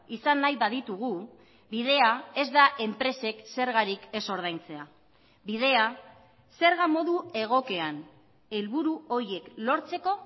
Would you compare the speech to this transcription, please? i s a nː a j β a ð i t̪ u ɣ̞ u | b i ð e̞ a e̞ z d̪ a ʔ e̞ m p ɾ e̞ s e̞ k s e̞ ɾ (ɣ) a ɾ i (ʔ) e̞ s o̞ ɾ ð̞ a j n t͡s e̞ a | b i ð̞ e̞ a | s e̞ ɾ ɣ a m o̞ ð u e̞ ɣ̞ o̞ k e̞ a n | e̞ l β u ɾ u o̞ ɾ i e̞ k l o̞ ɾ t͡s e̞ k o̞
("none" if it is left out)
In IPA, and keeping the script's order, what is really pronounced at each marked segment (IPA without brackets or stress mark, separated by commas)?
ɣ, k